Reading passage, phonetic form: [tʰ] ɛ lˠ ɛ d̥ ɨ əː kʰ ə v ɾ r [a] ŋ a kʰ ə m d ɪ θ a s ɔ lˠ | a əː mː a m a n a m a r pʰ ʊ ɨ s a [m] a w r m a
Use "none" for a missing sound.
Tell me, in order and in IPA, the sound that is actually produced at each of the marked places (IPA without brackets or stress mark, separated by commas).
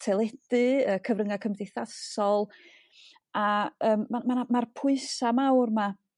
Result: tʰ, ə, m